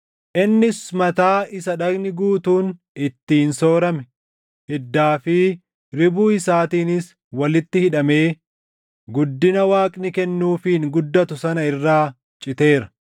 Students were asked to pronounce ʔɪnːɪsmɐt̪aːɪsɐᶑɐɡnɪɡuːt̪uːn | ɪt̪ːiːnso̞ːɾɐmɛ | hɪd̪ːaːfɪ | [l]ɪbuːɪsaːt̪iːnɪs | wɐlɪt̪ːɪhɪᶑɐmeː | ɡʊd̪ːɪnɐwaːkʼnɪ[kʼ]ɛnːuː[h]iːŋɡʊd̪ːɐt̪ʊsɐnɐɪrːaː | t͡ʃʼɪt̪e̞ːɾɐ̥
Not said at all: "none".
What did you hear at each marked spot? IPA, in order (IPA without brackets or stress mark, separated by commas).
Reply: ɾ, k, f